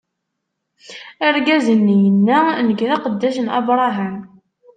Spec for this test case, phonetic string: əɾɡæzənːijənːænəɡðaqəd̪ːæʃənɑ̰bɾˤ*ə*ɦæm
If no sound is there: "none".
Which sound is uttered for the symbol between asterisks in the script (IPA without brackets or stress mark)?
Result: ɑ